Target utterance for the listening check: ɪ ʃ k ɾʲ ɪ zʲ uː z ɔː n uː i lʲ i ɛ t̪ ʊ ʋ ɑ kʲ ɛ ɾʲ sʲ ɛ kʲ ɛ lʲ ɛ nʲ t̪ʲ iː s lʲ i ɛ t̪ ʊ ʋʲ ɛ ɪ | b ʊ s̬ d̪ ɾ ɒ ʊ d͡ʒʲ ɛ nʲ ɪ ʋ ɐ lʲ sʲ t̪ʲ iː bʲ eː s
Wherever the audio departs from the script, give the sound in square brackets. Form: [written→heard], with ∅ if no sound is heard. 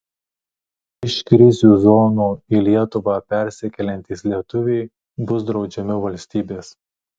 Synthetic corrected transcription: ɪ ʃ k ɾʲ ɪ zʲ uː z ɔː n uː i lʲ i ɛ t̪ ʊ ʋ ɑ [kʲ→pʲ] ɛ ɾʲ sʲ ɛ kʲ ɛ lʲ ɛ nʲ t̪ʲ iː s lʲ i ɛ t̪ ʊ ʋʲ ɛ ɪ | b ʊ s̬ d̪ ɾ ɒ ʊ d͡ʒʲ ɛ [nʲ→mʲ] ɪ ʋ ɐ lʲ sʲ t̪ʲ iː bʲ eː s

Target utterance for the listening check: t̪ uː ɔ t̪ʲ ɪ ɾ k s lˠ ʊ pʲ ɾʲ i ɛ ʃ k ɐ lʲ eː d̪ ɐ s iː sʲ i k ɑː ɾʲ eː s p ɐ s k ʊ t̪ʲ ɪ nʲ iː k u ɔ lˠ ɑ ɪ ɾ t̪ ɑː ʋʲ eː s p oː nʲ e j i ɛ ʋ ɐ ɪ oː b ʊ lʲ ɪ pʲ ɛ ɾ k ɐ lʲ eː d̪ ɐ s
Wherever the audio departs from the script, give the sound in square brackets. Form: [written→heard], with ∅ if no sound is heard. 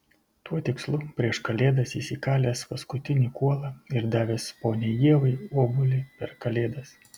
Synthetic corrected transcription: t̪ [uː→u] ɔ t̪ʲ ɪ [ɾ→∅] k s lˠ ʊ pʲ ɾʲ i ɛ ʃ k ɐ lʲ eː d̪ ɐ s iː sʲ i k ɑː [ɾʲ→lʲ] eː s p ɐ s k ʊ t̪ʲ ɪ nʲ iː k u ɔ lˠ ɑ ɪ ɾ [t̪→d̪] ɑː ʋʲ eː s p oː nʲ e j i ɛ ʋ ɐ ɪ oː b ʊ lʲ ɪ pʲ ɛ ɾ k ɐ lʲ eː d̪ ɐ s

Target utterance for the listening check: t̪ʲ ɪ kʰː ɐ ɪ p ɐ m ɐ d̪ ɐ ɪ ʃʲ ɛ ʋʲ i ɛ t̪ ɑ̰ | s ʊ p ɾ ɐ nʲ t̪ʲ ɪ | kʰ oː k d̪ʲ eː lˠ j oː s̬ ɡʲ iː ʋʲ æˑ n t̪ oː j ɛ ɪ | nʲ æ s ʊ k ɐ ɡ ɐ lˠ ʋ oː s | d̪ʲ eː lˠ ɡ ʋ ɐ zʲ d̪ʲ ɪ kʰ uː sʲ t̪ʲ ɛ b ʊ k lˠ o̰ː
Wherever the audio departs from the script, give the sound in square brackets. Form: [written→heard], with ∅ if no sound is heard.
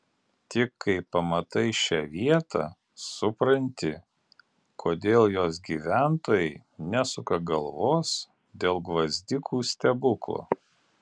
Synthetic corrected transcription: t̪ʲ ɪ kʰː ɐ ɪ p ɐ m ɐ [d̪→t̪] ɐ ɪ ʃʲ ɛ ʋʲ i ɛ t̪ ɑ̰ | s ʊ p ɾ ɐ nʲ t̪ʲ ɪ | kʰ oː [k→∅] d̪ʲ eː lˠ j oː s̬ ɡʲ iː ʋʲ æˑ n t̪ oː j ɛ ɪ | nʲ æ s ʊ k ɐ ɡ ɐ lˠ ʋ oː s | d̪ʲ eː lˠ ɡ ʋ ɐ zʲ d̪ʲ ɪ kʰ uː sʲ t̪ʲ ɛ b ʊ k lˠ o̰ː

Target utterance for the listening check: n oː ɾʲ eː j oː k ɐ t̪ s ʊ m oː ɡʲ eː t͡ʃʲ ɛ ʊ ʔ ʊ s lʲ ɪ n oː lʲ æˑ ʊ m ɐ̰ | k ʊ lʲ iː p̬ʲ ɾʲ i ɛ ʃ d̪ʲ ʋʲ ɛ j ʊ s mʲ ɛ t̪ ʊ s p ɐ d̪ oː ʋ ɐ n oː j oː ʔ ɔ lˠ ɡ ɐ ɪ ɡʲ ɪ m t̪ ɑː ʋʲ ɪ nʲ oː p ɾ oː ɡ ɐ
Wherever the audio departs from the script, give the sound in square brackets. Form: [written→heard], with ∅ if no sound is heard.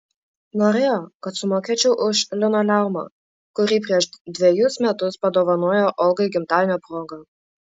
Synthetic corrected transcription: n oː ɾʲ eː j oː k ɐ t̪ s ʊ m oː [ɡʲ→kʲ] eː t͡ʃʲ ɛ ʊ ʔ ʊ [s→ʃ] lʲ ɪ n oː lʲ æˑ ʊ m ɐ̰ | k ʊ [lʲ→ɾʲ] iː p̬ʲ ɾʲ i ɛ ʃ d̪ʲ ʋʲ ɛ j ʊ s mʲ ɛ t̪ ʊ s p ɐ d̪ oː ʋ ɐ n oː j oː ʔ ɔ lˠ ɡ ɐ ɪ ɡʲ ɪ m t̪ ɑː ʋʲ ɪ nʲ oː p ɾ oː ɡ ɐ

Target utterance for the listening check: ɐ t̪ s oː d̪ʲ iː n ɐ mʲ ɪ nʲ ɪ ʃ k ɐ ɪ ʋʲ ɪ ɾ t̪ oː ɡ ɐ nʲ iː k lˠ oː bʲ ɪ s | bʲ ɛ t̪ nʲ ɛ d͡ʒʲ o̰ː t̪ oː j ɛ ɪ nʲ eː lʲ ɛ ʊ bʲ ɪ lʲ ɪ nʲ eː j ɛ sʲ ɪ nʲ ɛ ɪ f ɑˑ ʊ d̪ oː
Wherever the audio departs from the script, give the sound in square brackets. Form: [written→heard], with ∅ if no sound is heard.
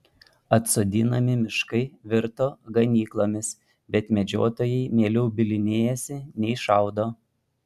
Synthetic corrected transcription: ɐ t̪ s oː d̪ʲ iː n ɐ mʲ ɪ [nʲ→mʲ] ɪ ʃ k ɐ ɪ ʋʲ ɪ ɾ t̪ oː ɡ ɐ nʲ iː k lˠ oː [bʲ→mʲ] ɪ s | bʲ ɛ t̪ [nʲ→mʲ] ɛ d͡ʒʲ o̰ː t̪ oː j ɛ ɪ [nʲ→mʲ] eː lʲ ɛ ʊ bʲ ɪ lʲ ɪ nʲ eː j ɛ sʲ ɪ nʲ ɛ ɪ [f→ʃ] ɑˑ ʊ d̪ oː

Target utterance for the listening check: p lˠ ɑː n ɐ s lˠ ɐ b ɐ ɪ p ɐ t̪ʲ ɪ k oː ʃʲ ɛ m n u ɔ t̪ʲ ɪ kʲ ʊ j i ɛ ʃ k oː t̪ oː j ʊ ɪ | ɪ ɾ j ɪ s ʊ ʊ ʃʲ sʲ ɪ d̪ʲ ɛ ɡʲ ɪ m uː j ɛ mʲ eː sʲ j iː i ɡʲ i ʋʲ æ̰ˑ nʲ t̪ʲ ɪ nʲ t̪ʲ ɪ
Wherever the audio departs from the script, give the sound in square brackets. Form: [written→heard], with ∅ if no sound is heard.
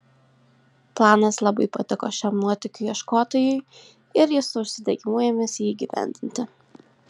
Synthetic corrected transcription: p lˠ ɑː n ɐ s lˠ ɐ b ɐ ɪ p ɐ t̪ʲ ɪ k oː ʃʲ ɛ m n u ɔ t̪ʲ ɪ kʲ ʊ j i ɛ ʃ k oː t̪ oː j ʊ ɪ | ɪ ɾ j ɪ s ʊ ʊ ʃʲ sʲ ɪ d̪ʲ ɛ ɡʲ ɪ m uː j ɛ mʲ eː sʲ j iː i ɡʲ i ʋʲ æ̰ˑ nʲ [t̪ʲ→d̪ʲ] ɪ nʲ t̪ʲ ɪ

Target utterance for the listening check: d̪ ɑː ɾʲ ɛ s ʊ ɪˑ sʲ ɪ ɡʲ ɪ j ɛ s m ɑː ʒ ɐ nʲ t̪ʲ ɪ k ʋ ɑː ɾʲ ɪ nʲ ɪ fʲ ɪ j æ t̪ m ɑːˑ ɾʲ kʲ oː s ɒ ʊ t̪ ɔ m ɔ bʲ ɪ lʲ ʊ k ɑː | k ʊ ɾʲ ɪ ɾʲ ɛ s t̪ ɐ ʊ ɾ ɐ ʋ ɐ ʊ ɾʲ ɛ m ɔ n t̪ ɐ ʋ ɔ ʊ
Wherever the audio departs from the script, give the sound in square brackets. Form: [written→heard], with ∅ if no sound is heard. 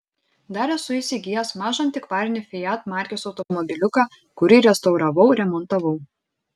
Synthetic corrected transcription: d̪ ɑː ɾʲ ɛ s ʊ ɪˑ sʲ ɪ ɡʲ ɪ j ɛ s m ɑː ʒ ɐ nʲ t̪ʲ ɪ k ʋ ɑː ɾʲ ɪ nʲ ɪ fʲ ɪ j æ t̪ m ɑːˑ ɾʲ kʲ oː s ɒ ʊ t̪ ɔ m ɔ bʲ ɪ lʲ ʊ k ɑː | k ʊ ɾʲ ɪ ɾʲ ɛ s t̪ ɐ ʊ ɾ ɐ ʋ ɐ ʊ ɾʲ ɛ m ɔ n t̪ ɐ ʋ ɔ ʊ

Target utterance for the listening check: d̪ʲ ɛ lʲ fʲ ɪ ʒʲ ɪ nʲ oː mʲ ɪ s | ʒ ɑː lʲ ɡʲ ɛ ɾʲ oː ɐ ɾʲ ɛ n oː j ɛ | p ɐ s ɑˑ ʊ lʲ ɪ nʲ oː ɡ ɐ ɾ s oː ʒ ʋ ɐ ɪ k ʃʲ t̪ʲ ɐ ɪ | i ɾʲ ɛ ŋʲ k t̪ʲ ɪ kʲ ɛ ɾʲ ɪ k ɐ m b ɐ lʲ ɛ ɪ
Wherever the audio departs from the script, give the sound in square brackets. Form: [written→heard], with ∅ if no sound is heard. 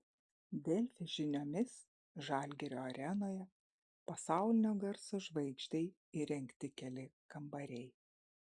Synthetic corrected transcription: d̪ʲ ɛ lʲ fʲ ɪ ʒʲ ɪ nʲ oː mʲ ɪ s | ʒ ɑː lʲ ɡʲ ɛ ɾʲ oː ɐ ɾʲ ɛ n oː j ɛ | p ɐ s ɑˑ ʊ lʲ ɪ nʲ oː ɡ ɐ ɾ s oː ʒ ʋ ɐ ɪ k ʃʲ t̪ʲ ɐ ɪ | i ɾʲ ɛ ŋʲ k t̪ʲ ɪ kʲ ɛ [ɾʲ→lʲ] ɪ k ɐ m b ɐ [lʲ→ɾʲ] ɛ ɪ

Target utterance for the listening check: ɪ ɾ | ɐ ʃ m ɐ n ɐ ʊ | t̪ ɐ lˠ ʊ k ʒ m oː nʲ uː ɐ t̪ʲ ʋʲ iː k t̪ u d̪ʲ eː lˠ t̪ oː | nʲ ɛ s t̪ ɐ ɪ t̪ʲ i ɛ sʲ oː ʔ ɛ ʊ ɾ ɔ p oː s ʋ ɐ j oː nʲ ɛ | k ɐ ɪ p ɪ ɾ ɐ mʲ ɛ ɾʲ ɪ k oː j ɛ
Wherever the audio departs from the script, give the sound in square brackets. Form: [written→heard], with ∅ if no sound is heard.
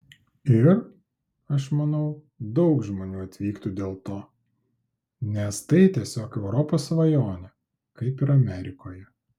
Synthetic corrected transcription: ɪ ɾ | ɐ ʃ m ɐ n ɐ ʊ | [t̪→d̪] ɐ [lˠ→∅] ʊ k ʒ m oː nʲ uː ɐ t̪ʲ ʋʲ iː k t̪ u d̪ʲ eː lˠ t̪ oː | nʲ ɛ s t̪ ɐ ɪ t̪ʲ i ɛ sʲ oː [ʔ→k] ɛ ʊ ɾ ɔ p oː s ʋ ɐ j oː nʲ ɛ | k ɐ ɪ p ɪ ɾ ɐ mʲ ɛ ɾʲ ɪ k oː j ɛ

